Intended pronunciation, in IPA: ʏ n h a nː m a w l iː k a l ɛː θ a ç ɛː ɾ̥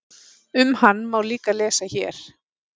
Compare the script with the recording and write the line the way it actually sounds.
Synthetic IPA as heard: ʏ m h a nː m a w l iː k a l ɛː s a ç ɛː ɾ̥